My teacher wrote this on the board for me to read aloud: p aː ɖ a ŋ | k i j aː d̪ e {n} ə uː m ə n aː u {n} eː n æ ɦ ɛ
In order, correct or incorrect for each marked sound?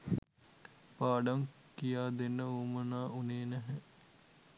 incorrect: nː, correct

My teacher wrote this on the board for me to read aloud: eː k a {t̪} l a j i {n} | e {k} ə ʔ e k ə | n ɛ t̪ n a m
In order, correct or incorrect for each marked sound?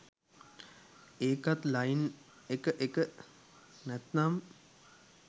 correct, correct, correct

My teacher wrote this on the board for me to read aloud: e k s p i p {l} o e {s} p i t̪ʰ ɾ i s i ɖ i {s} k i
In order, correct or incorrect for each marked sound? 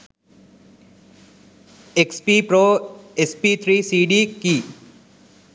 incorrect: ɾ, correct, incorrect: none

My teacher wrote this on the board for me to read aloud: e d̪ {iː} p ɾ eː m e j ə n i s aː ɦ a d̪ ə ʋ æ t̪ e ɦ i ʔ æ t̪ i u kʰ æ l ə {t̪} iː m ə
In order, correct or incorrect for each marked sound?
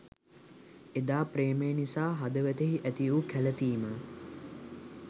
incorrect: aː, correct

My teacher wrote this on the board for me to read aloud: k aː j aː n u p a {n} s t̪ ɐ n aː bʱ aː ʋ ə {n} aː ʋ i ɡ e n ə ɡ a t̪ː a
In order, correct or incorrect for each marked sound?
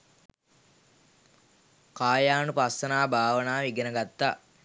incorrect: none, correct

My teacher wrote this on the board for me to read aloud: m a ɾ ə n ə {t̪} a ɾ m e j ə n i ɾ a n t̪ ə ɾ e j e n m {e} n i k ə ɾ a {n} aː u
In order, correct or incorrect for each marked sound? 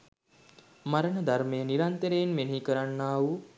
incorrect: d̪, correct, incorrect: nː

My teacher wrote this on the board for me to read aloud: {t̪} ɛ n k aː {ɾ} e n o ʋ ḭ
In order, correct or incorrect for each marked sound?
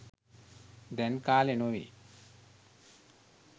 incorrect: d̪, incorrect: l

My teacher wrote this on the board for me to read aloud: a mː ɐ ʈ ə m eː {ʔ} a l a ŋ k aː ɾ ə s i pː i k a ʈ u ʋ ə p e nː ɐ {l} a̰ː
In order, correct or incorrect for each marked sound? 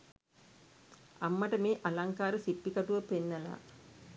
correct, correct

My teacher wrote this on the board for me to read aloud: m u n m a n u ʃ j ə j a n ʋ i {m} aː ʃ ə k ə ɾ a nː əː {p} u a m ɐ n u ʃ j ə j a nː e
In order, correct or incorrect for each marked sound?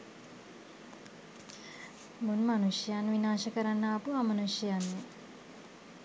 incorrect: n, correct

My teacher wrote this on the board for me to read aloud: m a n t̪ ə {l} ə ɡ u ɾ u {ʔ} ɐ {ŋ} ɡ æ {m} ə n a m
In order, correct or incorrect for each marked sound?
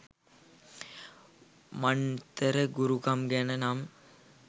incorrect: ɾ, incorrect: k, incorrect: m, incorrect: n

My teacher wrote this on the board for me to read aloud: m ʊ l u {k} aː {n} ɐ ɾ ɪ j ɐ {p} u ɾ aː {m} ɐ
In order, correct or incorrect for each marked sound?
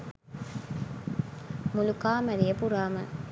correct, incorrect: m, correct, correct

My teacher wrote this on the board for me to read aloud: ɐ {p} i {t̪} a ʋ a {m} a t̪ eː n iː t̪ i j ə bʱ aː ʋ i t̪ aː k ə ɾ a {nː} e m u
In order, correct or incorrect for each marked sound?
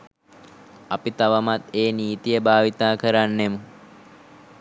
correct, correct, correct, correct

